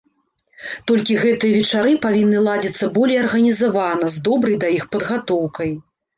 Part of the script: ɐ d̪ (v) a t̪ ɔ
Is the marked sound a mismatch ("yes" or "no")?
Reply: yes